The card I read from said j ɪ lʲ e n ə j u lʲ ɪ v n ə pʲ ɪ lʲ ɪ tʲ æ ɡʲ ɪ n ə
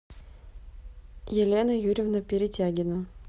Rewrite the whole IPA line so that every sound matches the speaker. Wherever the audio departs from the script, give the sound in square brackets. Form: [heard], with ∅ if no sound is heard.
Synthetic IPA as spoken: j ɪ lʲ e n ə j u [ɾʲ] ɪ v n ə pʲ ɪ [ɾʲ] ɪ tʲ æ ɡʲ ɪ n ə